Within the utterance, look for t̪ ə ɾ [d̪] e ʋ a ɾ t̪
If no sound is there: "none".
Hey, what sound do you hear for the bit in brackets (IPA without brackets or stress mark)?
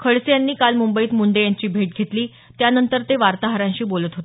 t̪